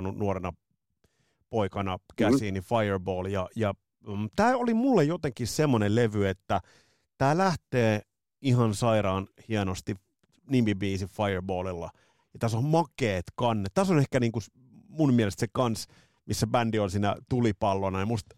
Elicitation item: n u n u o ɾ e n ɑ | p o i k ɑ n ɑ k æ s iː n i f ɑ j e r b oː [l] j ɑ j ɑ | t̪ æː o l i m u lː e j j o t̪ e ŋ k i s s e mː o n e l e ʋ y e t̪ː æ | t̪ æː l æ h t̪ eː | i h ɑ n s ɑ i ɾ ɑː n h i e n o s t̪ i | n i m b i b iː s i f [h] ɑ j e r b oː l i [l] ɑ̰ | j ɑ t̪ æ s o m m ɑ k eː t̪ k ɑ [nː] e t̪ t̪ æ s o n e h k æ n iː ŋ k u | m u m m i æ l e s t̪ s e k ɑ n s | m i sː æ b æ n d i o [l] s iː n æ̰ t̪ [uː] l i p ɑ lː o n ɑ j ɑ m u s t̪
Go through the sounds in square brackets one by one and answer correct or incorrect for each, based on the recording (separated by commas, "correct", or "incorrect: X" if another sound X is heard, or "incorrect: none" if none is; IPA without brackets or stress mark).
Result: correct, incorrect: f, incorrect: lː, correct, correct, incorrect: u